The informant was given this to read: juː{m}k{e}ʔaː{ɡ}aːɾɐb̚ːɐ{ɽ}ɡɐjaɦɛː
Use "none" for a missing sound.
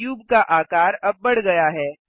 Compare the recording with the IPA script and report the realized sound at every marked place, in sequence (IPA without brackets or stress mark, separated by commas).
b, a, k, ɽ